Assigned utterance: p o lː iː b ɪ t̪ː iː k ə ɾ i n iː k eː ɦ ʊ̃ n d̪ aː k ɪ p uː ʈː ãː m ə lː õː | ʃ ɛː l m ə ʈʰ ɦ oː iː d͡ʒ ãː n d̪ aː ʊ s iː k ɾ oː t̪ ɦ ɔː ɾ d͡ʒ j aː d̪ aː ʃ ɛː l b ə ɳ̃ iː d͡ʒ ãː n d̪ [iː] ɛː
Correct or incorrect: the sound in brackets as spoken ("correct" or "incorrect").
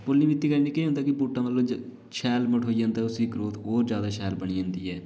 correct